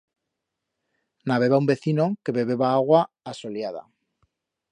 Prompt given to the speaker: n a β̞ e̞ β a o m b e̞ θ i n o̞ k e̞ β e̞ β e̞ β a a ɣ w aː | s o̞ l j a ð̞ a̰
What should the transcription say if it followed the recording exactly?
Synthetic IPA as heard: n a β̞ e̞ β a u m b e̞ θ i n o̞ k e̞ β e̞ β e̞ β a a ɣ w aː | s o̞ l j a ð̞ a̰